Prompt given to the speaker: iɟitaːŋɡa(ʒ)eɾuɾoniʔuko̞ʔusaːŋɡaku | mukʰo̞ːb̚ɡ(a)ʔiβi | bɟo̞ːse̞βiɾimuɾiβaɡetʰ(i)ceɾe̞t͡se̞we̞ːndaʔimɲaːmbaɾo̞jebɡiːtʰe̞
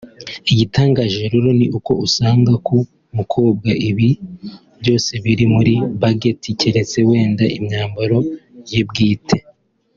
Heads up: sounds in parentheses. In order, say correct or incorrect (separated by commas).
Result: correct, correct, correct